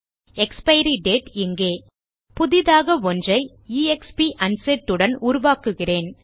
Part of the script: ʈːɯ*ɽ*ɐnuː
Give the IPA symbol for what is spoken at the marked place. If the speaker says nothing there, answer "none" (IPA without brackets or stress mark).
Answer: ɽ